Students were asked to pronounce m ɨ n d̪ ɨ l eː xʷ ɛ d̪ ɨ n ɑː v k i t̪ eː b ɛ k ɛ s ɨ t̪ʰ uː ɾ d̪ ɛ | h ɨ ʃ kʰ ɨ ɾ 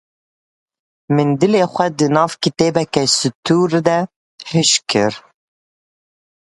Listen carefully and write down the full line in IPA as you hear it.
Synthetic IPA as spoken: m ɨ n d̪ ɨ l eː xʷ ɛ d̪ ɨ n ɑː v k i t̪ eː b ɛ k ɛ s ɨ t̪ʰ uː ɾ d̪ ɛ | h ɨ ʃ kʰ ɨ ɾ